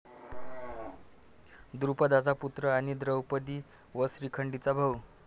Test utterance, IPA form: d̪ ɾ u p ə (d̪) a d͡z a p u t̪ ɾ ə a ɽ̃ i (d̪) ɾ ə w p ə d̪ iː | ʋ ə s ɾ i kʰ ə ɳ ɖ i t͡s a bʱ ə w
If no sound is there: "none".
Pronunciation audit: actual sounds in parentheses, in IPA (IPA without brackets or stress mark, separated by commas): d̪, d̪